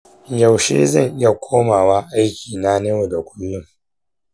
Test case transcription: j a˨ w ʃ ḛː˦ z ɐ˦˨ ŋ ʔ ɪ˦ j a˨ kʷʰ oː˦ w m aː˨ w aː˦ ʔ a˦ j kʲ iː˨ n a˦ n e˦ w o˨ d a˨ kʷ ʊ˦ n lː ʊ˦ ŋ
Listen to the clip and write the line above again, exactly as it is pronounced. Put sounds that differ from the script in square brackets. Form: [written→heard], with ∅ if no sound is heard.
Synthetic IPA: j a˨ w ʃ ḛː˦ z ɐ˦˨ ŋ ʔ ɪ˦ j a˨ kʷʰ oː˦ [w→∅] m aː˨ w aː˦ ʔ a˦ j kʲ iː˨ n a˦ n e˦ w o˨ d a˨ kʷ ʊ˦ [n→∅] lː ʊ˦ ŋ